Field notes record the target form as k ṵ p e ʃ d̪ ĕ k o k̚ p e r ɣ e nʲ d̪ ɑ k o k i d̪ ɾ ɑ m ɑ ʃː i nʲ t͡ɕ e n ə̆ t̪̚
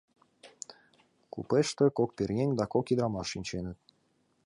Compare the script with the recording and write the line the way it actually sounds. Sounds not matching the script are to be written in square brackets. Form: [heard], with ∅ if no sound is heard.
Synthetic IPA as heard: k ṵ p e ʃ [t̪] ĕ k o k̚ p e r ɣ e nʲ d̪ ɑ k o k i d̪ ɾ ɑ m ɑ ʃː i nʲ t͡ɕ e n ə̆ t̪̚